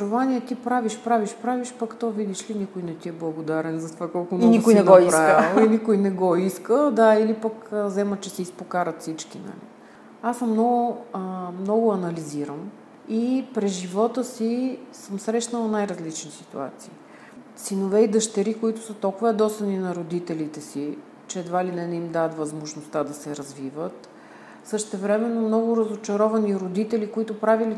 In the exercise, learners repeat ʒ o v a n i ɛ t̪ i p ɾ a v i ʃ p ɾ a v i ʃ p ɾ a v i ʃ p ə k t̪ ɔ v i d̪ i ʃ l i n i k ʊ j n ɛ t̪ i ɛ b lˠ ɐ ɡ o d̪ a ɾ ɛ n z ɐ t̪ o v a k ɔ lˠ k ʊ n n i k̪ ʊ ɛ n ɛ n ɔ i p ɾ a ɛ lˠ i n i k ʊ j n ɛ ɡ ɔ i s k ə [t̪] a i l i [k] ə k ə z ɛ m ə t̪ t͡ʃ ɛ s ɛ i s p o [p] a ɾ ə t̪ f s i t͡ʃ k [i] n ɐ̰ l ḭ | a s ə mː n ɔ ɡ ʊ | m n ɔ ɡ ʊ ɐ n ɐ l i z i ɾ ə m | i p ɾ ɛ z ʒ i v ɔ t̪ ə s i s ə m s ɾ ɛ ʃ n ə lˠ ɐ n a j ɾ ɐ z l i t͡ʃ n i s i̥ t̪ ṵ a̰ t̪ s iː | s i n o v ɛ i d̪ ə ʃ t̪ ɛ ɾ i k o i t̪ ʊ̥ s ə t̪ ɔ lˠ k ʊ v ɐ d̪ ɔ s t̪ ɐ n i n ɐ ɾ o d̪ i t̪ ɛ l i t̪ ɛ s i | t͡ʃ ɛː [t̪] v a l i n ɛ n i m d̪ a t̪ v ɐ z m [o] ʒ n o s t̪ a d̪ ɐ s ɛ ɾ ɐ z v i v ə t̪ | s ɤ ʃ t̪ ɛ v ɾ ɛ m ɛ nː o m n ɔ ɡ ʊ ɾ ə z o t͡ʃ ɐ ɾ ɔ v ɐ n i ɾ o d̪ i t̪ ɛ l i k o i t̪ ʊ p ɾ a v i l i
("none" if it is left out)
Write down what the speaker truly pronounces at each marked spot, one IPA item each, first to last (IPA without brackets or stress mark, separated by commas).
d̪, p, k, i, d̪, o